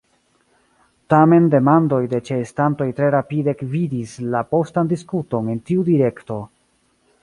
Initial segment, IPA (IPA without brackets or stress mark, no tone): t